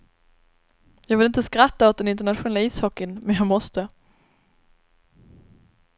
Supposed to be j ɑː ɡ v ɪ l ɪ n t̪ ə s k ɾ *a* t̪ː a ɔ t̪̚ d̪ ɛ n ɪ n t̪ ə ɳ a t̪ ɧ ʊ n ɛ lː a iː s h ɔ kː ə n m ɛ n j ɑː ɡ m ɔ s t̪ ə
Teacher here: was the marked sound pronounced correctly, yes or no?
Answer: yes